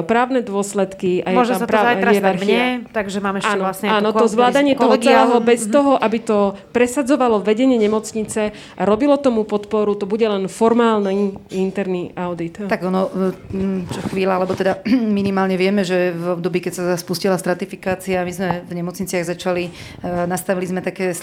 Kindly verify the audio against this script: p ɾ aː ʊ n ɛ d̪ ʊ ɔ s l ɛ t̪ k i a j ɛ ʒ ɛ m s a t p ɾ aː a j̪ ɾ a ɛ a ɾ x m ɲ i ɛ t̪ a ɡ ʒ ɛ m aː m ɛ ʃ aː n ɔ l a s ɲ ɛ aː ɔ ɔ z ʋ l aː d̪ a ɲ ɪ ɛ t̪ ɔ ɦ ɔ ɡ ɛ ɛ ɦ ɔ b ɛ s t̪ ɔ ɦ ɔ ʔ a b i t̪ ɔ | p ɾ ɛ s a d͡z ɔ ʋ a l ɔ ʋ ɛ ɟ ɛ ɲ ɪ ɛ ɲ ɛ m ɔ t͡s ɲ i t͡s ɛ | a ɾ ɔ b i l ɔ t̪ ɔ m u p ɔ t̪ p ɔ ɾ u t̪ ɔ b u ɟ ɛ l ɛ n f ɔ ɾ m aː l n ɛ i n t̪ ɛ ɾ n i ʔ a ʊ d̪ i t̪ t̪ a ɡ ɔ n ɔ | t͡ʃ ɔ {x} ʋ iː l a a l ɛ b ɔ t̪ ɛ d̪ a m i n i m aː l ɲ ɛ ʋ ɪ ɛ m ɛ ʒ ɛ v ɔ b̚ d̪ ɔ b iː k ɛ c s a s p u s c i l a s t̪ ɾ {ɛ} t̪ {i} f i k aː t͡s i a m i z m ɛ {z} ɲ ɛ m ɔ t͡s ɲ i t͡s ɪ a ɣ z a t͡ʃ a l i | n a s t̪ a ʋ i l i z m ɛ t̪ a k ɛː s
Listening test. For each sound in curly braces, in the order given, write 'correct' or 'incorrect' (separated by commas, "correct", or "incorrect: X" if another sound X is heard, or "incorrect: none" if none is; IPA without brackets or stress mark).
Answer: correct, incorrect: a, correct, incorrect: v